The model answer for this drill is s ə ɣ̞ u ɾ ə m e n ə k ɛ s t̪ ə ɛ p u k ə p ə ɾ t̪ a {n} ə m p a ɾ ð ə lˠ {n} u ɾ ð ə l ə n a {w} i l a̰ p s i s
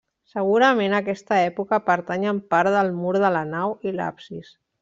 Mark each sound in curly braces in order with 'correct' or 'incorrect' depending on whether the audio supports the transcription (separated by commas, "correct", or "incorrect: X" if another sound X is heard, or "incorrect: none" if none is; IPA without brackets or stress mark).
incorrect: ɲ, incorrect: m, correct